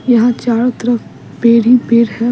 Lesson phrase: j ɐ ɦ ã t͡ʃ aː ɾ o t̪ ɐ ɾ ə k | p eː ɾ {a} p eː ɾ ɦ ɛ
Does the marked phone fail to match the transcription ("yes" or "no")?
yes